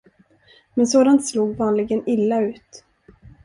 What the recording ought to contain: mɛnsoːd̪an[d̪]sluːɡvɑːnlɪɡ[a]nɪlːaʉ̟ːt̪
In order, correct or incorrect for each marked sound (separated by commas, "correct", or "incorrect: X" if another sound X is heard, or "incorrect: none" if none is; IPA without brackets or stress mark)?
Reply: incorrect: t̪, incorrect: ə